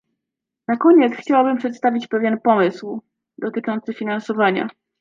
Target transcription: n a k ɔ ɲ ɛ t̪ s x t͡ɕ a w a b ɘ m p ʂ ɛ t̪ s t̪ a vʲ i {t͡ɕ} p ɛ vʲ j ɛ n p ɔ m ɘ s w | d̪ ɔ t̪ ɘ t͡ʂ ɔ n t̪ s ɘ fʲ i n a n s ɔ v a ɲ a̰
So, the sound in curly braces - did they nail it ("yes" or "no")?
yes